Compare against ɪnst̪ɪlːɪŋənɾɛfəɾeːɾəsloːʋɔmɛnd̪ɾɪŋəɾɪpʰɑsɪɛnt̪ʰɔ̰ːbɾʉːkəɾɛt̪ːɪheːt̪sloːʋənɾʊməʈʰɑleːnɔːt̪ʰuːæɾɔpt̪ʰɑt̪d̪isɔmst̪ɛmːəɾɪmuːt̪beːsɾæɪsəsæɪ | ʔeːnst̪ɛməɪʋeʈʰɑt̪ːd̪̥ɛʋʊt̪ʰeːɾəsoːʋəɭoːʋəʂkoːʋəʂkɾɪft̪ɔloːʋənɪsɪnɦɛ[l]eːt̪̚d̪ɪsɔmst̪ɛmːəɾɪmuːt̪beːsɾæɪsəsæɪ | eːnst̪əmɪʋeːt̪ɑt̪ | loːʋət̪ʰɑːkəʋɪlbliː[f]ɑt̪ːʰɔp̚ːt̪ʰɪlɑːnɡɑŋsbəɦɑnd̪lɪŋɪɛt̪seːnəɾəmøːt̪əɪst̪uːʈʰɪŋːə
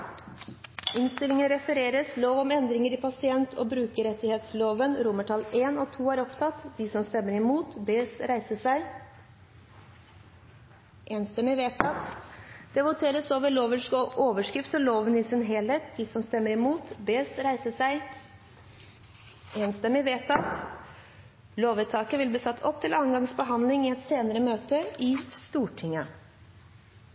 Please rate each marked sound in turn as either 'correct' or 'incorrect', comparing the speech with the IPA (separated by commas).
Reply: correct, incorrect